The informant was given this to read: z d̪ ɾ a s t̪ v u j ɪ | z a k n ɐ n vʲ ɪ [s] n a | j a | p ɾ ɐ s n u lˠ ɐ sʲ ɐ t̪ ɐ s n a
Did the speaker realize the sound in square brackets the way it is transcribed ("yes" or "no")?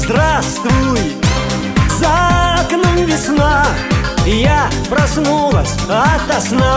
yes